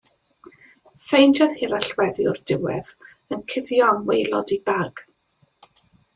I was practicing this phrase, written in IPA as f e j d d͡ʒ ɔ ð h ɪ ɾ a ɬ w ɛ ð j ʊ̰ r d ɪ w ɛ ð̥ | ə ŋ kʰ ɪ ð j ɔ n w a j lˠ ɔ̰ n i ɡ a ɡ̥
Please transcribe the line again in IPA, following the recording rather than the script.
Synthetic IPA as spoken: f e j n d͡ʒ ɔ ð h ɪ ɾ a ɬ w ɛ ð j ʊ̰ r d ɪ w ɛ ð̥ | ə n kʰ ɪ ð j ɔ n w e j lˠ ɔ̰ d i b a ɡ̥